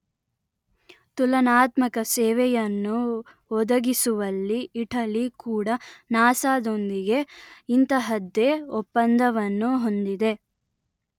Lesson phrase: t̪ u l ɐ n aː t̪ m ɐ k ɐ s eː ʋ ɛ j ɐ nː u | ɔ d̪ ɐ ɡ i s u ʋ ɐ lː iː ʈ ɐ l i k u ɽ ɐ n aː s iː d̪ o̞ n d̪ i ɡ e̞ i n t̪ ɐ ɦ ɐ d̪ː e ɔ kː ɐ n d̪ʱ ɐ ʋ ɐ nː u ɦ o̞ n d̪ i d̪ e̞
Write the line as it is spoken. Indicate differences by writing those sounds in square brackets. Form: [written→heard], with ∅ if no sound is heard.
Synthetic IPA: t̪ u l ɐ n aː t̪ m ɐ k ɐ s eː ʋ ɛ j ɐ nː u | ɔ d̪ ɐ ɡ i s u ʋ ɐ lː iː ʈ ɐ l i k [u→uː] ɽ ɐ n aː s [iː→aː] d̪ o̞ n d̪ i ɡ e̞ i n t̪ ɐ ɦ ɐ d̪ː e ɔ [kː→pː] ɐ n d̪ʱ ɐ ʋ ɐ nː u ɦ o̞ n d̪ i d̪ e̞